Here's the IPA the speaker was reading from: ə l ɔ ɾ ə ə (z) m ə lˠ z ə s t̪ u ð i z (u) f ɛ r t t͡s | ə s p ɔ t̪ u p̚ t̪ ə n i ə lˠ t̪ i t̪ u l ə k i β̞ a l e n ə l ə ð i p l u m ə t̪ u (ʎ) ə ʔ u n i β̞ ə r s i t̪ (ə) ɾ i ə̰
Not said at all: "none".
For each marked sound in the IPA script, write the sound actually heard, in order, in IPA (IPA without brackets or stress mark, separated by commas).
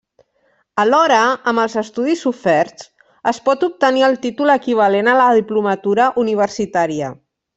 none, u, ɾ, a